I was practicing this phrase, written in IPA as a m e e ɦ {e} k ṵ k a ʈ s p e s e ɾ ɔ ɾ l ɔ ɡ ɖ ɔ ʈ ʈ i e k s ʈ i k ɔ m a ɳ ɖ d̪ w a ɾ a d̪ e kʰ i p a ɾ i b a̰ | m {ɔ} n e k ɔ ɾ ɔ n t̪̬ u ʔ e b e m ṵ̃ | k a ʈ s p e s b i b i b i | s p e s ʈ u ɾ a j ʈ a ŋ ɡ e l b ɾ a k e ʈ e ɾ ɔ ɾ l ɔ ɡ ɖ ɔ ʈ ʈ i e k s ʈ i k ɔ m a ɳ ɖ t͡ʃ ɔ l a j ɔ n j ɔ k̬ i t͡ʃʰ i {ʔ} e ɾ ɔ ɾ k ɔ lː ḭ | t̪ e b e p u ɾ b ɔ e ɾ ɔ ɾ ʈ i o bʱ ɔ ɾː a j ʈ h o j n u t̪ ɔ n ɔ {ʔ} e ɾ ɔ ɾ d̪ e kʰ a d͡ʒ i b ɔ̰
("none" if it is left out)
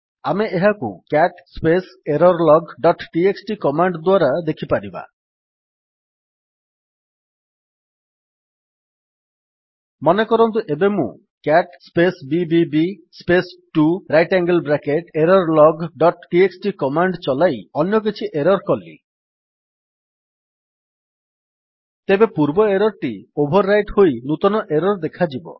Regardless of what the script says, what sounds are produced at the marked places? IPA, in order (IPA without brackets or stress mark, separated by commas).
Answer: a, ɔ, ʔ, ʔ